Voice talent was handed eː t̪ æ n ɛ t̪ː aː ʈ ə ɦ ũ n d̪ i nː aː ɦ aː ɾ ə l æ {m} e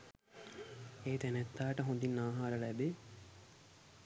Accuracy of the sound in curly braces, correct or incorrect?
incorrect